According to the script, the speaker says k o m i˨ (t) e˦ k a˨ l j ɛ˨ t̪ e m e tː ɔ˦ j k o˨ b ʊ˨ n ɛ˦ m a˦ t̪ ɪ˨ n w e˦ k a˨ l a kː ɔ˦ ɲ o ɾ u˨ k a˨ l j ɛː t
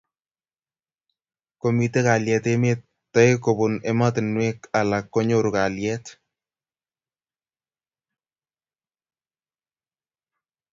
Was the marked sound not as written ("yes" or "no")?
no